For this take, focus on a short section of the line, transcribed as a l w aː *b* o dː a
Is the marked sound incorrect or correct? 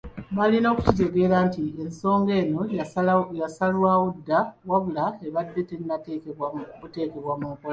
incorrect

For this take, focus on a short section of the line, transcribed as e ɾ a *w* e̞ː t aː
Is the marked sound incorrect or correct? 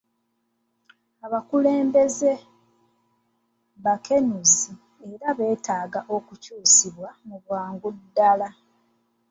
incorrect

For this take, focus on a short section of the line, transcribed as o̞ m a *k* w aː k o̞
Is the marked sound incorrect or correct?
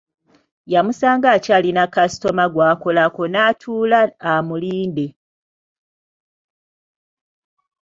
incorrect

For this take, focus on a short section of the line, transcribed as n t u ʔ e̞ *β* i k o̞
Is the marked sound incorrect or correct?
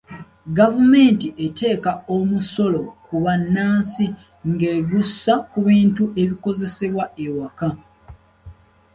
correct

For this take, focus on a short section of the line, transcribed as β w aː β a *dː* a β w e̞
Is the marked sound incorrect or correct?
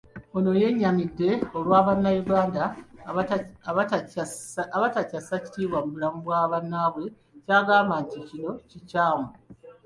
incorrect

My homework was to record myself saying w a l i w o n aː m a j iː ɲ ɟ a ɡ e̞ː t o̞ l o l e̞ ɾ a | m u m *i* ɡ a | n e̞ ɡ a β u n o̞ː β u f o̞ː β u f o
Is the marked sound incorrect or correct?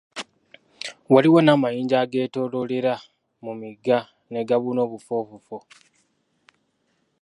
correct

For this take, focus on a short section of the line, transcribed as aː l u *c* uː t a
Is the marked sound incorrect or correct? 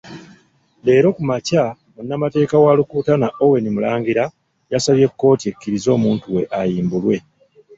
incorrect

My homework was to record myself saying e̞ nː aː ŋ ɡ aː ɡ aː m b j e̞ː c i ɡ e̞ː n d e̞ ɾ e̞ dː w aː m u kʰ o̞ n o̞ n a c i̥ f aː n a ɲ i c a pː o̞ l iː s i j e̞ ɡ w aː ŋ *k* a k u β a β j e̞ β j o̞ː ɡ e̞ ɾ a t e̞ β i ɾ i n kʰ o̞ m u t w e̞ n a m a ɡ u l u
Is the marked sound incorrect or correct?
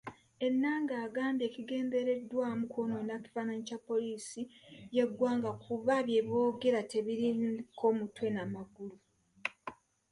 incorrect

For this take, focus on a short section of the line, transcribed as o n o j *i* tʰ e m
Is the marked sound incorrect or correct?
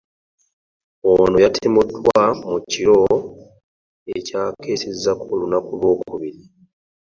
incorrect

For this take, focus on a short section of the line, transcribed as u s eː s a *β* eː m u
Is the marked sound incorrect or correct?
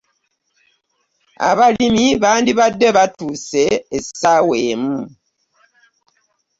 incorrect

